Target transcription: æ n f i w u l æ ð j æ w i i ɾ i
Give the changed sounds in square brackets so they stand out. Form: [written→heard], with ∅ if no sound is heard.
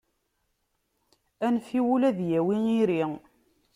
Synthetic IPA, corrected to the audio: æ n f i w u l æ ð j æ w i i ɾ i